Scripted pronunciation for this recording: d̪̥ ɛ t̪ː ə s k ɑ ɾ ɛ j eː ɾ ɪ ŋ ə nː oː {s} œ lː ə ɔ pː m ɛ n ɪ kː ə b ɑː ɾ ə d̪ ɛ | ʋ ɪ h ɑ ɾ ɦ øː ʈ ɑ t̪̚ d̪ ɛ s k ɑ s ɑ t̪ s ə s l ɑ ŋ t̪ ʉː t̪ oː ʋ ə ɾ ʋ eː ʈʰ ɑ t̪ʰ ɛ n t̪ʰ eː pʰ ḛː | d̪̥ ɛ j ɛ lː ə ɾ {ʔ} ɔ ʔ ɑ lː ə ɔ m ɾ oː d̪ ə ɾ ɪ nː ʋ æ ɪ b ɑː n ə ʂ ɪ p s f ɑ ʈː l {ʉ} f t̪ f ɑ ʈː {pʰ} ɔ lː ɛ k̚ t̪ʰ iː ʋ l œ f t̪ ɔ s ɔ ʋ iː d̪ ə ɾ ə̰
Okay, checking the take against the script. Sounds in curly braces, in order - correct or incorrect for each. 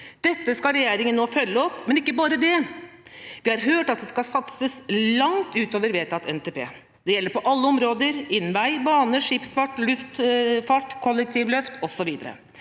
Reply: incorrect, incorrect, correct, incorrect

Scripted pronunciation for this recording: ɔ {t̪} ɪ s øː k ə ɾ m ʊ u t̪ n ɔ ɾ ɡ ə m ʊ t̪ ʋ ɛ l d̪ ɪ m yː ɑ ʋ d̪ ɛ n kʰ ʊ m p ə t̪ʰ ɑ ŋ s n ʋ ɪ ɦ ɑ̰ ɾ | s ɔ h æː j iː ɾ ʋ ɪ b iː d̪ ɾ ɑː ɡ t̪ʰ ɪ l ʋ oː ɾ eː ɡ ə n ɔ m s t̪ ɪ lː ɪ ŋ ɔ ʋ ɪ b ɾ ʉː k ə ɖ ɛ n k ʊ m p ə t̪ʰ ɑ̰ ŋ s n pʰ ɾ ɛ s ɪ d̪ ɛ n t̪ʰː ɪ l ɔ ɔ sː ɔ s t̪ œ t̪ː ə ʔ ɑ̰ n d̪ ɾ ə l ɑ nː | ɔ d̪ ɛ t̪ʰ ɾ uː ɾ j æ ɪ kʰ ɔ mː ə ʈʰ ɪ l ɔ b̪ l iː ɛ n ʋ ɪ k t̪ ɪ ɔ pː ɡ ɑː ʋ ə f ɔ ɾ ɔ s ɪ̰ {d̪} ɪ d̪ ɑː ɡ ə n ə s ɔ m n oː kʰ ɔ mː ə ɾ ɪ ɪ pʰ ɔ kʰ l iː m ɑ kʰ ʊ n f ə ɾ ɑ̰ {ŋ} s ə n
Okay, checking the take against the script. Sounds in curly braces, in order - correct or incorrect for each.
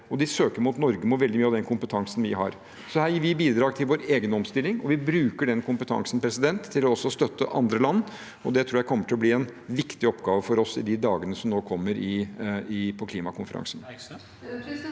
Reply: incorrect, correct, correct

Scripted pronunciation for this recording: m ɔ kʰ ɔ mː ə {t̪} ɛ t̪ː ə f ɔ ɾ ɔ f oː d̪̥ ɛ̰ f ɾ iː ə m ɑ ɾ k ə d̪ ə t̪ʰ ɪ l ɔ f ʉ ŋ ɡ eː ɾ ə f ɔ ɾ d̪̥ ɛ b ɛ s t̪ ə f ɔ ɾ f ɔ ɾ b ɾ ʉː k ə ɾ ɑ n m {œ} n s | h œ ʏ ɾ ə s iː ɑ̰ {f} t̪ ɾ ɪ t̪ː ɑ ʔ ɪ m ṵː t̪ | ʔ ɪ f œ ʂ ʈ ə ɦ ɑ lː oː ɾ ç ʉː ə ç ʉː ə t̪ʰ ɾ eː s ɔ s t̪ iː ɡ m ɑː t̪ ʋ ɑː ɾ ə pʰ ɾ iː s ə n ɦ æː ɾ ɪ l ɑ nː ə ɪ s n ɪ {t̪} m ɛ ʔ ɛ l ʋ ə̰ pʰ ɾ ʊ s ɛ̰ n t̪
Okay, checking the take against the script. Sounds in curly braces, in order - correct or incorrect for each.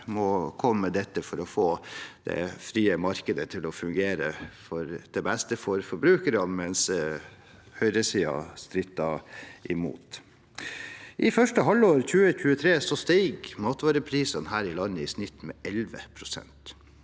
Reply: incorrect, incorrect, incorrect, correct

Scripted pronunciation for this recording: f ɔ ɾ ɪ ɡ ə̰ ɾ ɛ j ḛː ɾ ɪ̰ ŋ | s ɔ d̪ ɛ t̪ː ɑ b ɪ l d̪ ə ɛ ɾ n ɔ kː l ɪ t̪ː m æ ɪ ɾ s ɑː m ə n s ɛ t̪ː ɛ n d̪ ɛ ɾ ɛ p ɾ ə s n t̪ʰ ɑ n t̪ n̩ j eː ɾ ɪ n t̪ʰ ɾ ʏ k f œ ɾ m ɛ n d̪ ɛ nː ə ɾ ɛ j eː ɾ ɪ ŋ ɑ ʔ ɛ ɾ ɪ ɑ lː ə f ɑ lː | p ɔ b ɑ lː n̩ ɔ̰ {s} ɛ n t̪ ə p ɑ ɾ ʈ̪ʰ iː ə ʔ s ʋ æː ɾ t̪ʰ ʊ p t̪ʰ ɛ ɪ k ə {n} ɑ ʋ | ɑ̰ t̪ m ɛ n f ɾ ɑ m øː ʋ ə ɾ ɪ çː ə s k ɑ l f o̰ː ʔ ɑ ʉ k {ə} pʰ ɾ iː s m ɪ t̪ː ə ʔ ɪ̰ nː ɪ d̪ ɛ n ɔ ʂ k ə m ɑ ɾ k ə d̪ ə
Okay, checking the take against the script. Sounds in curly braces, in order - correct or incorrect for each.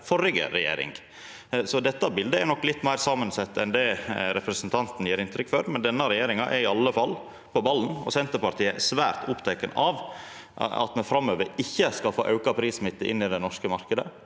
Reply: correct, correct, incorrect

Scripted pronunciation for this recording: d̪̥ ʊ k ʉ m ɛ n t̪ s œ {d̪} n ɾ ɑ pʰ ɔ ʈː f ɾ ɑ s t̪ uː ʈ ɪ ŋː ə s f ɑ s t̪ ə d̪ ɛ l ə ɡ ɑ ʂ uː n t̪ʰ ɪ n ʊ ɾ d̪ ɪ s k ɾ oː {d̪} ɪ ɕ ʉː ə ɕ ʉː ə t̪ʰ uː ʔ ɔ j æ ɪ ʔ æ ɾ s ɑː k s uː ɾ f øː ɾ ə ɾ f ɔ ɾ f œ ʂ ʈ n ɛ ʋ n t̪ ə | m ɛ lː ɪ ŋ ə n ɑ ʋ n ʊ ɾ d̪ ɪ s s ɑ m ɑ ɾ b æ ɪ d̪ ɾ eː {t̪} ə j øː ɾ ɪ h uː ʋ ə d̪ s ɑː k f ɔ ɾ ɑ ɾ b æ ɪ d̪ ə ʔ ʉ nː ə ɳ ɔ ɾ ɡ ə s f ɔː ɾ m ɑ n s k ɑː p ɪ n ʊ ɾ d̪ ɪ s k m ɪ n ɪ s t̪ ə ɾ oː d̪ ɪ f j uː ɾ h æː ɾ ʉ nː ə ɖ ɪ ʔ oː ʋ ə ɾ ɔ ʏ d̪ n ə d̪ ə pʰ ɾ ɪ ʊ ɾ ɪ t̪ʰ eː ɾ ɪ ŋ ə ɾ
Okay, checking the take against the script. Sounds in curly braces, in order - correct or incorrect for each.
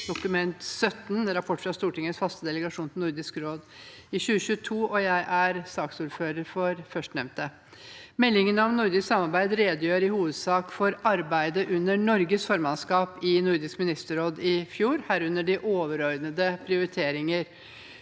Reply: incorrect, correct, incorrect

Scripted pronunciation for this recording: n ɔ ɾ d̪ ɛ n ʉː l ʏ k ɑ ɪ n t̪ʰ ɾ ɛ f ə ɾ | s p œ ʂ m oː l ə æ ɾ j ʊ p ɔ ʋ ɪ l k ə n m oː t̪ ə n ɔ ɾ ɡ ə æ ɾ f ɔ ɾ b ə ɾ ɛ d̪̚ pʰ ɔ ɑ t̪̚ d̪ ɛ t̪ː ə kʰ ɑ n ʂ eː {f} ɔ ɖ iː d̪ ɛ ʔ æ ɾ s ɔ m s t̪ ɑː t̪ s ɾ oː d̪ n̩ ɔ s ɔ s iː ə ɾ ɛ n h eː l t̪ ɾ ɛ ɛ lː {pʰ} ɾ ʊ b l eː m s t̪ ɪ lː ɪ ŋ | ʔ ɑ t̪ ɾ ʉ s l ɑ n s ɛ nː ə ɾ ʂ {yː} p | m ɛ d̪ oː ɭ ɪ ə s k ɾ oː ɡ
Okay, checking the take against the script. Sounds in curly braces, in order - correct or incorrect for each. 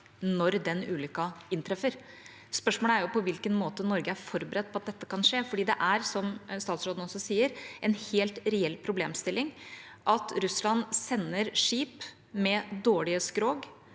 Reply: correct, correct, incorrect

